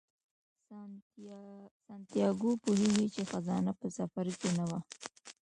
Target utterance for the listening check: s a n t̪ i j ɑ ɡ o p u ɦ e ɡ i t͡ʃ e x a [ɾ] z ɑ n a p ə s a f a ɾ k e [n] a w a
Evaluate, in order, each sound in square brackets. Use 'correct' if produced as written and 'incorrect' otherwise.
incorrect, correct

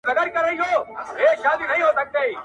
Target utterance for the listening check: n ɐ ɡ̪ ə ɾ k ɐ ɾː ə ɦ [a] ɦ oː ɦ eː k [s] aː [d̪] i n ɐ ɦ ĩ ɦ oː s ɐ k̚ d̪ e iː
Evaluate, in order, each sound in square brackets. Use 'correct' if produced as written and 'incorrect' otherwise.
incorrect, incorrect, correct

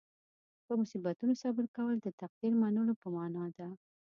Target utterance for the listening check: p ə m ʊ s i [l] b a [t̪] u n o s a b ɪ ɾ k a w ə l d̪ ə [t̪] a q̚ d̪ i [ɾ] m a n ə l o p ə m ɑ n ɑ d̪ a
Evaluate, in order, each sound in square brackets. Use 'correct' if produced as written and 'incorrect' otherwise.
incorrect, correct, correct, correct

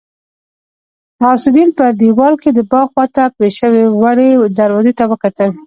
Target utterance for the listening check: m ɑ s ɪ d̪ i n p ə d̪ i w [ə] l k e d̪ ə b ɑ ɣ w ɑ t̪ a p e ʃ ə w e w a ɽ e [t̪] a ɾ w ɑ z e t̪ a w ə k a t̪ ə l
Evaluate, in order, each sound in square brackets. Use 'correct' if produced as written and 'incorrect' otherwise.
incorrect, incorrect

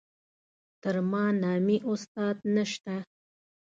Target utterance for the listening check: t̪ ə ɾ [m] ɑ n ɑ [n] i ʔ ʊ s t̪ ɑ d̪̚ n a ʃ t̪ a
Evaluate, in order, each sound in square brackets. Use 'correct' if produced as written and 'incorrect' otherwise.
correct, incorrect

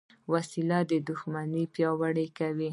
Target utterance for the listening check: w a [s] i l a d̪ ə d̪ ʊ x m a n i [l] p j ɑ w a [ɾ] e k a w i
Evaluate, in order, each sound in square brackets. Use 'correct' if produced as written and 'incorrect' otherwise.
correct, incorrect, incorrect

